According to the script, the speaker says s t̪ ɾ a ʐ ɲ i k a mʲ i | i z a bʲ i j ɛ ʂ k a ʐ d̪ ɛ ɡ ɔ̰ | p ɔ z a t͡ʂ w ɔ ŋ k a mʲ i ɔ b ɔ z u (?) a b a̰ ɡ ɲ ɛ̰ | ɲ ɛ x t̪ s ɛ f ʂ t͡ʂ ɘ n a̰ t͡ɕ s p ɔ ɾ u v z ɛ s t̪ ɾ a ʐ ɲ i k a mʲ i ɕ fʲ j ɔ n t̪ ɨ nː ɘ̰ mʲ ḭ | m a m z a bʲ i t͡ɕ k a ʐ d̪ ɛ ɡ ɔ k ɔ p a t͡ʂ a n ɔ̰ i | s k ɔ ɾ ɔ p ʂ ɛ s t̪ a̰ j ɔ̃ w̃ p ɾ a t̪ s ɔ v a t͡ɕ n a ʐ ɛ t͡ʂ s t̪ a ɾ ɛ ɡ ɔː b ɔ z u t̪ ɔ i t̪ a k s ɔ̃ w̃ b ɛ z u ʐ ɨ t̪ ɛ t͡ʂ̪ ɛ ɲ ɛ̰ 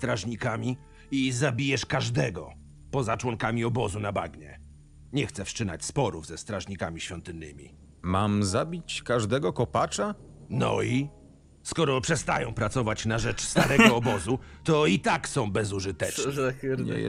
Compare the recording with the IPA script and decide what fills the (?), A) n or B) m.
A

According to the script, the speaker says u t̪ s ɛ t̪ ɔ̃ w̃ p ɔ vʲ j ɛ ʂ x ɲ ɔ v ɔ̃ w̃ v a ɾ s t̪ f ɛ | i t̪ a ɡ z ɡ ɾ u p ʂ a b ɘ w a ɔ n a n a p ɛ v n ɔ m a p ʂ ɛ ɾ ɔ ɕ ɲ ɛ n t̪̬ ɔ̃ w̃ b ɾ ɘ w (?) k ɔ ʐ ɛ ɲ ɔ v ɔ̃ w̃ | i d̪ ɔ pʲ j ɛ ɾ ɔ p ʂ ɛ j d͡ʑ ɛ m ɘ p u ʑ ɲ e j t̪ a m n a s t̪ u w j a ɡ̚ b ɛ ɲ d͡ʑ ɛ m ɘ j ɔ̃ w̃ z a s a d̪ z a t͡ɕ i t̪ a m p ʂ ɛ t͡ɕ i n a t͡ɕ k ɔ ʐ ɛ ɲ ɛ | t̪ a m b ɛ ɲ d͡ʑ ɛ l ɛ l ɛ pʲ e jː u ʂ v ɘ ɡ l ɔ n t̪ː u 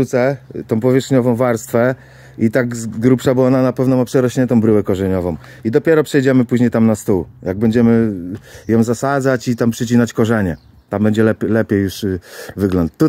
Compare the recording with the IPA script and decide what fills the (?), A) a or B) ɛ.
B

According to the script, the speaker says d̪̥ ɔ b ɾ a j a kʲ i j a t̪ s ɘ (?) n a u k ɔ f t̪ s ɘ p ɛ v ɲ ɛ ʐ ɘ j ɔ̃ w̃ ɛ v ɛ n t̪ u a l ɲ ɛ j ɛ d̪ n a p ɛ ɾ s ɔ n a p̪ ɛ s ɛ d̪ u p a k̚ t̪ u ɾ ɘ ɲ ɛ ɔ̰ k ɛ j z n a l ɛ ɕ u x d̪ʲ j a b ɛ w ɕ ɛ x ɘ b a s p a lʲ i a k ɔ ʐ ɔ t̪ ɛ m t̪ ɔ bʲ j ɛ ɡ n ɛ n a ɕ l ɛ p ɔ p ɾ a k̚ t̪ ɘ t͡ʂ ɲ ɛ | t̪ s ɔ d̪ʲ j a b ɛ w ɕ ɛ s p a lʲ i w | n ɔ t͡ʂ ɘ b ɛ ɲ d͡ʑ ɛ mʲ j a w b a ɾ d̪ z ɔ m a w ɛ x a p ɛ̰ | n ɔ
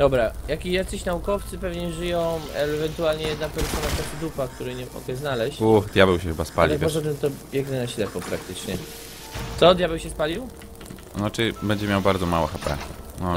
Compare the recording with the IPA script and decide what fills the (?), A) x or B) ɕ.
B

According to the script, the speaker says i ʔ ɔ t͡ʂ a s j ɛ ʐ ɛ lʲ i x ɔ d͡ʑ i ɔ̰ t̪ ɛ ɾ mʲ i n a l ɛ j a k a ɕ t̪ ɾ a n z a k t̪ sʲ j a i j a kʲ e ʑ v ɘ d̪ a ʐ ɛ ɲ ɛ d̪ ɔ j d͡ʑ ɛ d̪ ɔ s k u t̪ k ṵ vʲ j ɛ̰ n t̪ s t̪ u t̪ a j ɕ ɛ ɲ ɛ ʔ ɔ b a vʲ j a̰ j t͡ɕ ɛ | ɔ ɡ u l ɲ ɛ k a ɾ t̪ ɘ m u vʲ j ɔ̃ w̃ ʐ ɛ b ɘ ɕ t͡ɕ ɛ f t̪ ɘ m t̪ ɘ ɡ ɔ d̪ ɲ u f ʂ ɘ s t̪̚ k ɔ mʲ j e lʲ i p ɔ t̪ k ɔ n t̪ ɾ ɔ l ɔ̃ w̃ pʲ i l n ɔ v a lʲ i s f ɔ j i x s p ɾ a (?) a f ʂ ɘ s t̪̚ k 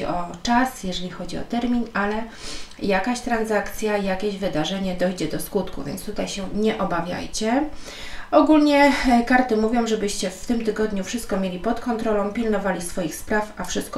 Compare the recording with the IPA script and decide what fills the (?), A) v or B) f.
B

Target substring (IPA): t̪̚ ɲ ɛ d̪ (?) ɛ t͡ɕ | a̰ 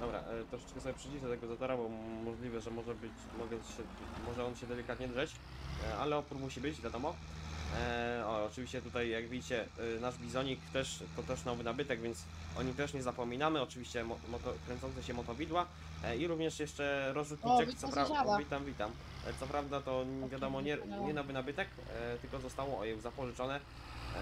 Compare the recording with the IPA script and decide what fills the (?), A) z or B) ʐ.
B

